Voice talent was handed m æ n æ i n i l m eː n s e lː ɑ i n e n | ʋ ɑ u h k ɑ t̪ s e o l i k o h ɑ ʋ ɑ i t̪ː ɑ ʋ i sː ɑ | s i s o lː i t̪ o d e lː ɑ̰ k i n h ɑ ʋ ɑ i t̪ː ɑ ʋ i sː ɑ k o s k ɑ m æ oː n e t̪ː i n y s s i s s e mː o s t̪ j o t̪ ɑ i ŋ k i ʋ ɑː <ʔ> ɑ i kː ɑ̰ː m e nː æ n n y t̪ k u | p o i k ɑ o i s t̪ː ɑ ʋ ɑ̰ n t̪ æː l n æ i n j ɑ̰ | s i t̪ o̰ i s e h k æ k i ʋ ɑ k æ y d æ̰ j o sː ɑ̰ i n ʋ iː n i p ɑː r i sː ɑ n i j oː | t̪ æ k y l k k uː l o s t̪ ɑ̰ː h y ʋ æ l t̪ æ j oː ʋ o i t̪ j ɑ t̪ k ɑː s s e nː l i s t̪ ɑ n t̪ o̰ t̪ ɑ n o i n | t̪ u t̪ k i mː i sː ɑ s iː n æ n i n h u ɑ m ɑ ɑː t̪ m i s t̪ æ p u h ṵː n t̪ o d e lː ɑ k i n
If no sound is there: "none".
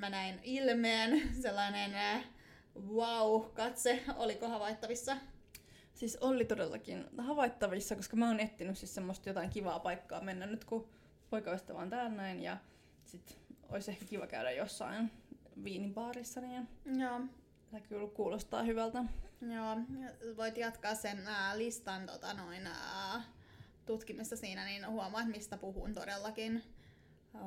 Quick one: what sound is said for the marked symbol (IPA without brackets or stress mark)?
p